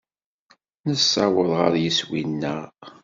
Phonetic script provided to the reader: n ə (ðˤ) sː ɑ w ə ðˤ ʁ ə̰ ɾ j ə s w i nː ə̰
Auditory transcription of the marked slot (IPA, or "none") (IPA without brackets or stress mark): none